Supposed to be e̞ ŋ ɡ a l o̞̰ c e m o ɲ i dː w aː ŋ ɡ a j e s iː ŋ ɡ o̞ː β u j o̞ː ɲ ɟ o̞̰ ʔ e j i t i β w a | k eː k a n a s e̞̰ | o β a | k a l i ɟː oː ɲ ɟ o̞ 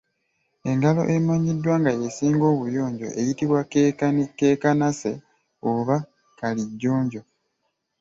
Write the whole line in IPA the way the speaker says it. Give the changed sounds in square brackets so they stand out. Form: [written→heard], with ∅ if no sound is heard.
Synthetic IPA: e̞ ŋ ɡ a l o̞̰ [c→ʔ] e m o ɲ i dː w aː ŋ ɡ a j e s iː ŋ ɡ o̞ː β u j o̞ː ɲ ɟ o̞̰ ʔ e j i t i β w a | k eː k a n a s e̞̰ | o β a | k a l i ɟː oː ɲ ɟ o̞